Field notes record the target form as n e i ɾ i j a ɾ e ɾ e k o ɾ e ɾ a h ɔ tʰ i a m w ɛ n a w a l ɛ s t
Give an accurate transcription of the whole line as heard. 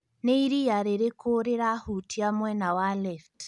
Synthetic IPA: n e i ɾ i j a ɾ e ɾ e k o ɾ e ɾ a h u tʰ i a m w ɛ n a w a l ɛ f t